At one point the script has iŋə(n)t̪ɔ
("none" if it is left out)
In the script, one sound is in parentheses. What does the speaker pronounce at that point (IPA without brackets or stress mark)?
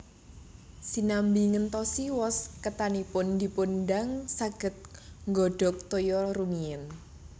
n